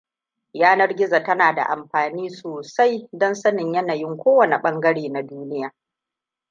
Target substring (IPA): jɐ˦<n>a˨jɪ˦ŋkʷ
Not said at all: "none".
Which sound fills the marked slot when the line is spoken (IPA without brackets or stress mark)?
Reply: n